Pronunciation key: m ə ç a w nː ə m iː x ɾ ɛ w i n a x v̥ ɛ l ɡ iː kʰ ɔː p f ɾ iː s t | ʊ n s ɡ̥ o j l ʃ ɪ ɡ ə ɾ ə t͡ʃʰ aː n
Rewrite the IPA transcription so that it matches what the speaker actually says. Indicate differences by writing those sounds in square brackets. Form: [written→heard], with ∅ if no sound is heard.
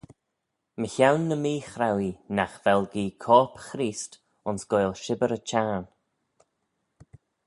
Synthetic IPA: m ə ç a w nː ə m iː x ɾ [ɛ→a] w i n a x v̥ ɛ l ɡ iː kʰ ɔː p [f→x] ɾ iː s t | ʊ n s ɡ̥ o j l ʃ ɪ [ɡ→b] ə ɾ ə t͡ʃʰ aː n